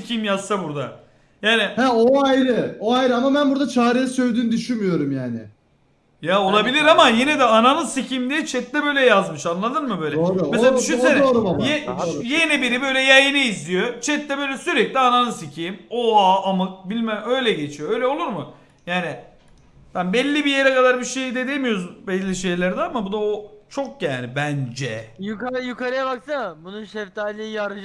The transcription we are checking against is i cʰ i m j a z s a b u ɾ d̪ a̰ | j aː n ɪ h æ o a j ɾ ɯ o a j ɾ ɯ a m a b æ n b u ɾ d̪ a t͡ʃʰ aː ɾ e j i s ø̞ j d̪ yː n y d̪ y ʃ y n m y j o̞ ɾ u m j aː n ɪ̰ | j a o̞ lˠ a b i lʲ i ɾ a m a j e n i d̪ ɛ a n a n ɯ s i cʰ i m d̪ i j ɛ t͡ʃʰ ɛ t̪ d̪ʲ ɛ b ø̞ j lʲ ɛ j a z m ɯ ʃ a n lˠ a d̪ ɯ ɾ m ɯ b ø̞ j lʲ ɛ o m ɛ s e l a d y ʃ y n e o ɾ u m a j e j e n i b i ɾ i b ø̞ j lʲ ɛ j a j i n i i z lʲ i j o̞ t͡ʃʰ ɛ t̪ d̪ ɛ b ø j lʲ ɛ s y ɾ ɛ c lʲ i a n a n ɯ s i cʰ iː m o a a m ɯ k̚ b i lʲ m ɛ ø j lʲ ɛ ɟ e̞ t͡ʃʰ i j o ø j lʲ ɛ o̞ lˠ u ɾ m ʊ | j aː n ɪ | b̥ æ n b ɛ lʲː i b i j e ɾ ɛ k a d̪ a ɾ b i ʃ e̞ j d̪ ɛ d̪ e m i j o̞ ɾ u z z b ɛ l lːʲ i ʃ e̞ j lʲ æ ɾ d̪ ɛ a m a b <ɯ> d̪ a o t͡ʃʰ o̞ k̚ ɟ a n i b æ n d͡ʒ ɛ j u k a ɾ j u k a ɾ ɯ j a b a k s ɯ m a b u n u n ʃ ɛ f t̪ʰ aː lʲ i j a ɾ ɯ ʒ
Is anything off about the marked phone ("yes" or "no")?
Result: yes